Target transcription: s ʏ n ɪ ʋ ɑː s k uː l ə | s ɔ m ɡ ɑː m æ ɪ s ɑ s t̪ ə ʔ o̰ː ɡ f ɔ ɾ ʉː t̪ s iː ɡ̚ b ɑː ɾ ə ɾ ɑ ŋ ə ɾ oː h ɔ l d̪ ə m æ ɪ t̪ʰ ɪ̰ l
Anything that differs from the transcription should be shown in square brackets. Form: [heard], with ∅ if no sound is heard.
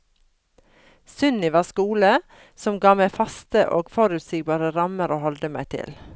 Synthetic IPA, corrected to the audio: s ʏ n ɪ ʋ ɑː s k uː l ə | s ɔ m ɡ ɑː m æ ɪ [f] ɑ s t̪ ə ʔ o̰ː ɡ f ɔ ɾ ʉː t̪ s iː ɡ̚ b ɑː ɾ ə ɾ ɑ [m] ə ɾ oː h ɔ l d̪ ə m æ ɪ t̪ʰ ɪ̰ l